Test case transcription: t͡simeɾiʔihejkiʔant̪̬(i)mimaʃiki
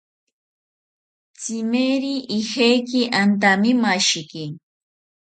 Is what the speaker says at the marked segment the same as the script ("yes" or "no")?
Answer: no